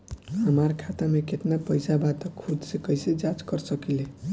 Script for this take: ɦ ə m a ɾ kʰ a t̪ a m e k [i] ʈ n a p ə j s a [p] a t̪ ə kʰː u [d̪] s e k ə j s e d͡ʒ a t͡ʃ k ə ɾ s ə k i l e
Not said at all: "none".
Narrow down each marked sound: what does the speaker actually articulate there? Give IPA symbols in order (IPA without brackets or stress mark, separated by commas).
e, b, d̪